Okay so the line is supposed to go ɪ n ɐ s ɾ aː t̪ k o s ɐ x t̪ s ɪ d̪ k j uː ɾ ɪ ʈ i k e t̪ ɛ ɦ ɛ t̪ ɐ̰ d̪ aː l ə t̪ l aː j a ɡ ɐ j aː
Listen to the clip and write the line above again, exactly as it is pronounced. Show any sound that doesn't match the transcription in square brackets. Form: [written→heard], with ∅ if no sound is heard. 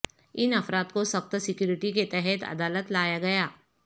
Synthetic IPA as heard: ɪ n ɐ [s→f] ɾ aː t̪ k o s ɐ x t̪ s ɪ [d̪→∅] k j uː ɾ ɪ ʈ i k e t̪ ɛ ɦ ɛ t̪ ɐ̰ d̪ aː l ə t̪ l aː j a ɡ ɐ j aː